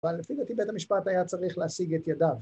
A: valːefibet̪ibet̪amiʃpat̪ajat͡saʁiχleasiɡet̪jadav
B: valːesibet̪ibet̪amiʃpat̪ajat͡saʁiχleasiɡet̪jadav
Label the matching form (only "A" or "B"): A